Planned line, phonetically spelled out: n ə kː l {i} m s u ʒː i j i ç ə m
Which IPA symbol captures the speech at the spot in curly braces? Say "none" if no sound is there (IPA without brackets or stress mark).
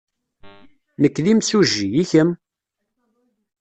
i